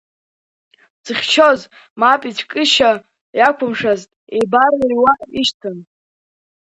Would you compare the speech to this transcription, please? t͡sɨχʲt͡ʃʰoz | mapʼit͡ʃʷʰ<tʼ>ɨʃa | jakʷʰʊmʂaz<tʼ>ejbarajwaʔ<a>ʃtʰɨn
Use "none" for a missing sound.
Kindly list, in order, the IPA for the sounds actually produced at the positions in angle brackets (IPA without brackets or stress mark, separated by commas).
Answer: kʼ, tʼ, i